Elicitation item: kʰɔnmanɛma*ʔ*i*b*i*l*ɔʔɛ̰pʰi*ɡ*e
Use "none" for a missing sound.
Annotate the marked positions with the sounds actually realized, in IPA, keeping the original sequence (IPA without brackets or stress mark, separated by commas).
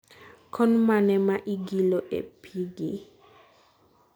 ʔ, ɡ, l, ɡ